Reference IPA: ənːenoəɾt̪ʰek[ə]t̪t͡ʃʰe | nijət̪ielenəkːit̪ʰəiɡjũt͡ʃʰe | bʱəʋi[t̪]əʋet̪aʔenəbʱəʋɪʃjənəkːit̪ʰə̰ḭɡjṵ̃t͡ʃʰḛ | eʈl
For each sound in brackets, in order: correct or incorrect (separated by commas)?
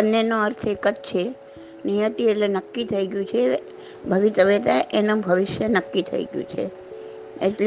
correct, correct